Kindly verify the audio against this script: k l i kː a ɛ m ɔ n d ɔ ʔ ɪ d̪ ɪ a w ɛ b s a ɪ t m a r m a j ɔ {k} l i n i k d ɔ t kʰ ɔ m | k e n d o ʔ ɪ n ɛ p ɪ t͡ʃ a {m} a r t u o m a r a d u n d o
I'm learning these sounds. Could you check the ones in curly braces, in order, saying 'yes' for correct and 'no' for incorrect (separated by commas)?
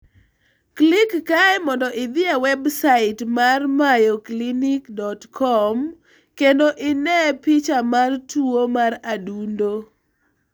yes, yes